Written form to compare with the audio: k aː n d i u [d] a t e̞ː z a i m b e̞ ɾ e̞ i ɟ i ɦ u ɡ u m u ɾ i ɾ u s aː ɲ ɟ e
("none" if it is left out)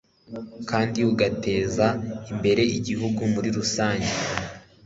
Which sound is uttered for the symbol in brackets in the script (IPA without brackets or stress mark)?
ɡ